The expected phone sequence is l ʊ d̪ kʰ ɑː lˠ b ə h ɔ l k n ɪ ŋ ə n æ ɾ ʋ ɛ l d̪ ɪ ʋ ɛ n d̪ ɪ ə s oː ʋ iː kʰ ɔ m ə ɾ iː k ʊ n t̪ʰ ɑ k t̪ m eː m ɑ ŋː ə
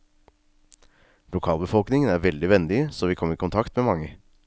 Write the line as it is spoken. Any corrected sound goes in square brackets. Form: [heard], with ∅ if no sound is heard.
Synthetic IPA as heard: l ʊ [∅] kʰ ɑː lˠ b ə [f] ɔ l k n ɪ ŋ ə n æ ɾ ʋ ɛ l d̪ ɪ ʋ ɛ n d̪ ɪ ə s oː ʋ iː kʰ ɔ m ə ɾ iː k ʊ n t̪ʰ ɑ k t̪ m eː m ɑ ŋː ə